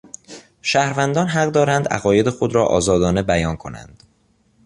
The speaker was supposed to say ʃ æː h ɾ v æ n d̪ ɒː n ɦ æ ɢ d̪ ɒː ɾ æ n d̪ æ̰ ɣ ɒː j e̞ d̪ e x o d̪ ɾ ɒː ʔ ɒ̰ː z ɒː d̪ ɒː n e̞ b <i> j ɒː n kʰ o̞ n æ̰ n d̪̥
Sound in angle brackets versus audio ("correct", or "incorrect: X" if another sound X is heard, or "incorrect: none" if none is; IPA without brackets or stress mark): incorrect: æ